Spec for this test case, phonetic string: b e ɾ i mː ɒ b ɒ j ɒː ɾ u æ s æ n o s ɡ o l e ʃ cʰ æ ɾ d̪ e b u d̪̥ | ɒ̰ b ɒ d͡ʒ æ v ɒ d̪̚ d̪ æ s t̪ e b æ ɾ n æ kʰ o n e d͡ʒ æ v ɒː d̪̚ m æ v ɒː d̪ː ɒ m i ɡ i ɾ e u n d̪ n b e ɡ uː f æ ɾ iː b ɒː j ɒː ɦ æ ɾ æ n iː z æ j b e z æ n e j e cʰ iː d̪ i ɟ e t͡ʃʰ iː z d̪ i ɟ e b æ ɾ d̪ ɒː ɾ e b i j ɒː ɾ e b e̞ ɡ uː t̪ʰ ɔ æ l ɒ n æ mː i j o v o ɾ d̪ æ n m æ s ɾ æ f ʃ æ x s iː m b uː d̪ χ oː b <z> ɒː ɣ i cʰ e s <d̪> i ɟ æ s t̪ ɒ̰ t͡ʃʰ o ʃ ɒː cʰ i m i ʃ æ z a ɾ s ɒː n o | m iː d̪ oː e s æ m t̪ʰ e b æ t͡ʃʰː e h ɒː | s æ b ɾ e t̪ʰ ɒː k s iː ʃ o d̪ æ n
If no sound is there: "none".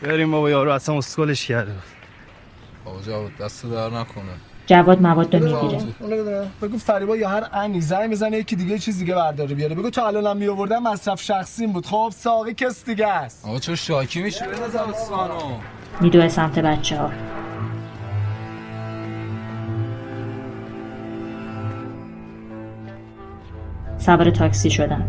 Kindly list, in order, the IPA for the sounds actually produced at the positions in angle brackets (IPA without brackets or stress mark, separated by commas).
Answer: s, d̪